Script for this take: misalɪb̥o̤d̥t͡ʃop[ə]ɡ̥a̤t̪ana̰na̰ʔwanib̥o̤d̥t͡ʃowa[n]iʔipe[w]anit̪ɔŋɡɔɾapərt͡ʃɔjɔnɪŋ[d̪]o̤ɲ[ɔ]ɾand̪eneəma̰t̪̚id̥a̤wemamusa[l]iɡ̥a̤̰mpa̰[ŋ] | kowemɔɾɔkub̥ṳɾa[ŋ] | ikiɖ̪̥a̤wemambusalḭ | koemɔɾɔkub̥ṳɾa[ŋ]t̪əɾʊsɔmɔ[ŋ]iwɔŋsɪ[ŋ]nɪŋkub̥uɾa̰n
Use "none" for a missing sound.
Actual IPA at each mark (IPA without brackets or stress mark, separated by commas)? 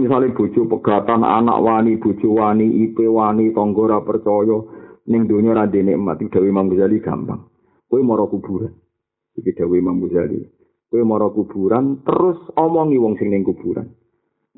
ə, n, w, d̪, ɔ, l, ŋ, n, n, ŋ, ŋ